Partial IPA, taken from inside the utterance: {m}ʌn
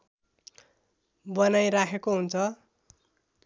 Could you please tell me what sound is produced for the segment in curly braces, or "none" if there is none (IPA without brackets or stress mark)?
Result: b